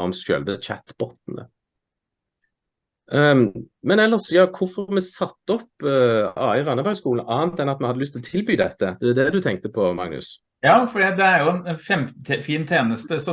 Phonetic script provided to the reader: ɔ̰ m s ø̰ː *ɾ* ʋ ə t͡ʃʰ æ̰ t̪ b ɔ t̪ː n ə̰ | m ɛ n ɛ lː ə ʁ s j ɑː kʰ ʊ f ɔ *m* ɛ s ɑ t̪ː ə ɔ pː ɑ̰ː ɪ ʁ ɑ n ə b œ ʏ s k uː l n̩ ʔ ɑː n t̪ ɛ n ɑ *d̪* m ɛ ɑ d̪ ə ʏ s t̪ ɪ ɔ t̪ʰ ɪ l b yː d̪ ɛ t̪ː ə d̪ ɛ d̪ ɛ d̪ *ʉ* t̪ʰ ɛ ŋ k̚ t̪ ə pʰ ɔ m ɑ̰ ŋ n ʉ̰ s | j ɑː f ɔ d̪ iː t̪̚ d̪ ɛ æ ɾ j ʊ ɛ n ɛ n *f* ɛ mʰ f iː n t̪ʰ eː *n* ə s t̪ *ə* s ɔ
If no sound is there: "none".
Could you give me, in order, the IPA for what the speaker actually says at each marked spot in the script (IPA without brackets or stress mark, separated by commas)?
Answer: l, m, t̪, ʉ, f, n, ə